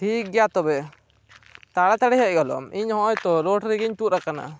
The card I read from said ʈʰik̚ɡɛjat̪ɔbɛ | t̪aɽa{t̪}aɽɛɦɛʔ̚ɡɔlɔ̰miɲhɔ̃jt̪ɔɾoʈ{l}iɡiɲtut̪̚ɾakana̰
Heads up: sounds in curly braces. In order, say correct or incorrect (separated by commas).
correct, incorrect